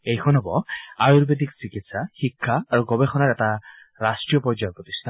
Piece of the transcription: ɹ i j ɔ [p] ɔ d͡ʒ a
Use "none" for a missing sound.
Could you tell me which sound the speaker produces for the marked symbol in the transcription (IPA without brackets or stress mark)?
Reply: p